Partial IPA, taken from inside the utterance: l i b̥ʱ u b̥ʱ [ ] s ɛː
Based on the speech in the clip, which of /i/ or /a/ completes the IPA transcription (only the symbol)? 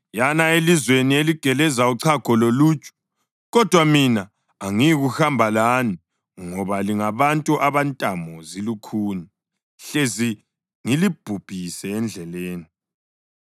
i